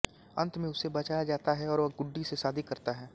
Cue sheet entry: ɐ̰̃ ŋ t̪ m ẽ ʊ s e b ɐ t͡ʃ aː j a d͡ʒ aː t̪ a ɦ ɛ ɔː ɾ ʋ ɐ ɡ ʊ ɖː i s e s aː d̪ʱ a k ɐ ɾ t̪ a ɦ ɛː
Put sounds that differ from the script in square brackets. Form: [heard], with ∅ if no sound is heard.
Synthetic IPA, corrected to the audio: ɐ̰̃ [n] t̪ m ẽ ʊ s e b ɐ t͡ʃ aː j a d͡ʒ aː t̪ a ɦ ɛ ɔː ɾ ʋ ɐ ɡ ʊ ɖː i s e s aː d̪ʱ [i] k ɐ ɾ t̪ a ɦ ɛː